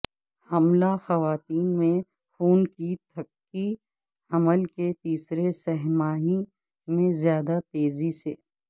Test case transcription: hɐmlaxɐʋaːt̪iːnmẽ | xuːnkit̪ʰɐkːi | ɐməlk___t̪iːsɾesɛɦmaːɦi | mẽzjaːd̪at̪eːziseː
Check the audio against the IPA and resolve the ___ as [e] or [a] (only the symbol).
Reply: e